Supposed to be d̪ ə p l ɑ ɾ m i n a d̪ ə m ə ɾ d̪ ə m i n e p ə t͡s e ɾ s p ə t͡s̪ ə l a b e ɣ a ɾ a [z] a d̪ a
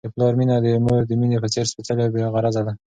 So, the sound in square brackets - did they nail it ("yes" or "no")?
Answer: yes